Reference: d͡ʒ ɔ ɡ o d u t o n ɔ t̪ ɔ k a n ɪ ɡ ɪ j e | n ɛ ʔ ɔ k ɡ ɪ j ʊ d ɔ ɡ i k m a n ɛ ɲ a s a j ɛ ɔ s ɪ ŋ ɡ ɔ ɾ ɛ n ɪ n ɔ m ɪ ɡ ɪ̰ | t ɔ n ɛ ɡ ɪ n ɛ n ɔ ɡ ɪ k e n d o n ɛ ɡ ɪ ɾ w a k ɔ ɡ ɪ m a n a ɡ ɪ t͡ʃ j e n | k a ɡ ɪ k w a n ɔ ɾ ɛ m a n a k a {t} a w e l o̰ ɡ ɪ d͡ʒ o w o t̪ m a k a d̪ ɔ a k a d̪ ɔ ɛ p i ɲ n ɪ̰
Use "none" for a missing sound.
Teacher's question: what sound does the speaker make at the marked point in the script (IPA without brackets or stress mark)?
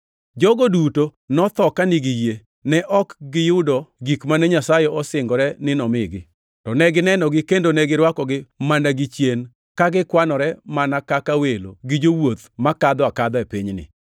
k